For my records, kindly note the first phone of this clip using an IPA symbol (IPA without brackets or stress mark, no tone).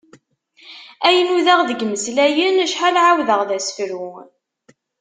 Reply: æ